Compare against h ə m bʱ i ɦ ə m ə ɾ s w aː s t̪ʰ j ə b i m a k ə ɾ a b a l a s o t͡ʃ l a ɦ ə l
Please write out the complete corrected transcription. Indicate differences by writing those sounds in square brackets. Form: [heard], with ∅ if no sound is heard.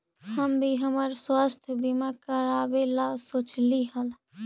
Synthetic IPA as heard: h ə m bʱ i ɦ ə m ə ɾ s w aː s t̪ʰ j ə b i m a k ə ɾ a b [e] l a s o t͡ʃ l [i] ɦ ə l